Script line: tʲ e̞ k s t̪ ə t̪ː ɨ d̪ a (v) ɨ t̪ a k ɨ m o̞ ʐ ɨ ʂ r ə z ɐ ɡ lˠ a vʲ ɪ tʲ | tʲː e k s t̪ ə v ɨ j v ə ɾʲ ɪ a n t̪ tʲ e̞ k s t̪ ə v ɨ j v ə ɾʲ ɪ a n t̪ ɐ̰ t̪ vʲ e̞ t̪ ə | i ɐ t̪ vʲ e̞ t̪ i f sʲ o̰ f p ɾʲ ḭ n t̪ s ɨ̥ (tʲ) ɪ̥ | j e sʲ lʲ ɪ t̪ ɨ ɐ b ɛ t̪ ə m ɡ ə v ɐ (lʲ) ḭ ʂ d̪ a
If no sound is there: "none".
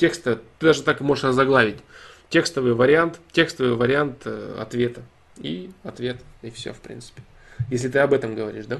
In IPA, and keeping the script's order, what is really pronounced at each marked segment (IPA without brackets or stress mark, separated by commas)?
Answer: ʐ, pʲ, ɾʲ